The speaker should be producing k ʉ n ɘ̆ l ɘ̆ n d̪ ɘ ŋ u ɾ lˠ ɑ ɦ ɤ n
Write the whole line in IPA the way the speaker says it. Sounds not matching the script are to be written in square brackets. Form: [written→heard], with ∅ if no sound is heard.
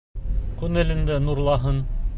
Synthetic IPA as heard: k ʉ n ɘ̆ l ɘ̆ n d̪ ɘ [ŋ→n] u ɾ lˠ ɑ ɦ ɤ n